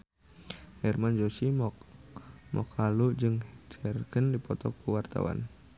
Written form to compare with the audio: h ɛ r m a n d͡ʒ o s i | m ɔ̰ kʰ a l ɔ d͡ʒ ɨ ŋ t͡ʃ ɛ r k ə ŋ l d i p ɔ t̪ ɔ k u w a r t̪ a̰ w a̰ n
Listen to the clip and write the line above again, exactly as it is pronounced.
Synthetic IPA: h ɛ r m a n d͡ʒ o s i | m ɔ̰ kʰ a l u d͡ʒ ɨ ŋ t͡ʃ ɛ r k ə n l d i p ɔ t̪ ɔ k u w a r t̪ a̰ w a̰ n